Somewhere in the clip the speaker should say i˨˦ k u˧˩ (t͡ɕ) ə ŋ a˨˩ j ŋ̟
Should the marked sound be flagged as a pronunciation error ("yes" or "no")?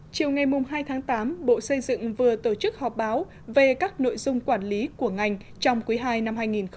yes